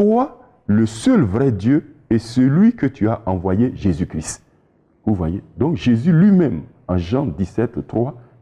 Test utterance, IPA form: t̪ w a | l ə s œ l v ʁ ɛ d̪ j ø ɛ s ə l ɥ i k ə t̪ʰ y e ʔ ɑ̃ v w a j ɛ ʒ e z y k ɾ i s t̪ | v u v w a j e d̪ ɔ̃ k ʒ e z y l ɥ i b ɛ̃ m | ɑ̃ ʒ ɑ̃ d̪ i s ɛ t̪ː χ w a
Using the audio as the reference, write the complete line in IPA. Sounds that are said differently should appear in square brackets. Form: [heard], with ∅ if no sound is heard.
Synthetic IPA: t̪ w a | l ə s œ l v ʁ ɛ d̪ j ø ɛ s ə l ɥ i k ə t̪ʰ y [a] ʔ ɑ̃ v w a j [e] ʒ e z y k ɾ i s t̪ | v u v w a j e d̪ ɔ̃ k ʒ e z y l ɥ i [m] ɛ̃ m | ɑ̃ ʒ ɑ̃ d̪ i s ɛ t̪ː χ w a